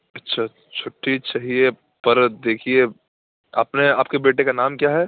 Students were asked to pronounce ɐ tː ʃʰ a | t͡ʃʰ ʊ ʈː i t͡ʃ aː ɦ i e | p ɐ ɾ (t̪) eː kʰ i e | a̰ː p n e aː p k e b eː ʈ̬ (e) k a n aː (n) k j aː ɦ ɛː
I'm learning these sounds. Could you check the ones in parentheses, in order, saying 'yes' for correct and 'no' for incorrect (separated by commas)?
no, yes, no